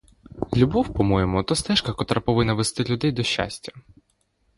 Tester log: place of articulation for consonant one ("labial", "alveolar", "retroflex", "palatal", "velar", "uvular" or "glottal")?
alveolar